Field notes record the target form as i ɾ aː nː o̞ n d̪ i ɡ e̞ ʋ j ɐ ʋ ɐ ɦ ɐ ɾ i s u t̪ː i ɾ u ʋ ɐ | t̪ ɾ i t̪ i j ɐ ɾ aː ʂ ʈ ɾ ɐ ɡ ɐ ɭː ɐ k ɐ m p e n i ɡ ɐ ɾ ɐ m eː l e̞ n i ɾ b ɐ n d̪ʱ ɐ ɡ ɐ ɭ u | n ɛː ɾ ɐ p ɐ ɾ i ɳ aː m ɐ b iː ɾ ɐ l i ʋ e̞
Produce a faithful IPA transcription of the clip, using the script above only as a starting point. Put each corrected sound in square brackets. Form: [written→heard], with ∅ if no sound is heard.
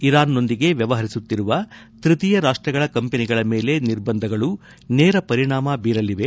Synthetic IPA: i ɾ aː nː o̞ n d̪ i ɡ e̞ ʋ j ɐ ʋ ɐ ɦ ɐ ɾ i s u t̪ː i ɾ u ʋ ɐ | t̪ ɾ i t̪ i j ɐ ɾ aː ʂ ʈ ɾ ɐ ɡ ɐ [ɭː→ɭ] ɐ k ɐ m p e n i ɡ ɐ [ɾ→ɭ] ɐ m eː l e̞ n i ɾ b ɐ n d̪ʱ ɐ ɡ ɐ ɭ u | n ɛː ɾ ɐ p ɐ ɾ i ɳ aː m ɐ b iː ɾ ɐ l i ʋ e̞